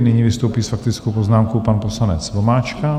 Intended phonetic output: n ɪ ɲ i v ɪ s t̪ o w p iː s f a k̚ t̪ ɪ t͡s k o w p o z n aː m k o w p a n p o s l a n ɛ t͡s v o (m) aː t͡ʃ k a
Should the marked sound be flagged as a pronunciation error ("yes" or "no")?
no